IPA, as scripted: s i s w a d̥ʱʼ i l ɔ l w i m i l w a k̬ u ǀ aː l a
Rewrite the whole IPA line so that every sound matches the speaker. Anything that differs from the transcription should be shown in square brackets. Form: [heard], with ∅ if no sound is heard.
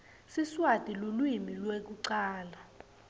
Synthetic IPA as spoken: s i s w a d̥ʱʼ i l [u] l w i m i l w [e] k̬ u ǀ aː l a